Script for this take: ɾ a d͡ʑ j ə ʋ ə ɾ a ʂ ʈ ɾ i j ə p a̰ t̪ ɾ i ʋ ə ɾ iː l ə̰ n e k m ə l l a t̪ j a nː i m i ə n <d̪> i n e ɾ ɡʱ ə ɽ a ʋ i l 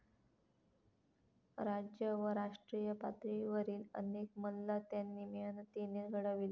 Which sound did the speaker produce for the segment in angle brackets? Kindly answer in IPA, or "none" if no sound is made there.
t̪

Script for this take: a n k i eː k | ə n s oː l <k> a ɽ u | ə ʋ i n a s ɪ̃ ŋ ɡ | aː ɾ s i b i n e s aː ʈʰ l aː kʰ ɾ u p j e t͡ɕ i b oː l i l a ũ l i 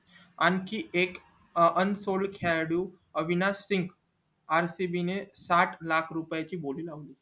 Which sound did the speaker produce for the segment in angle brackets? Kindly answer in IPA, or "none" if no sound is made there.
kʰ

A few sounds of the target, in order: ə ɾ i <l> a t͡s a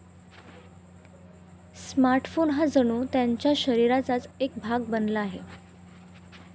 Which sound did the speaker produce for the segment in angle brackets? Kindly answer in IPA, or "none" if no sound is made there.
ɾ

